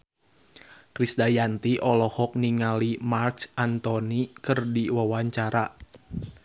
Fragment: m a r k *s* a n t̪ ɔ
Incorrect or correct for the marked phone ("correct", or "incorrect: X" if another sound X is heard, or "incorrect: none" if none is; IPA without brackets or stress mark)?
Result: correct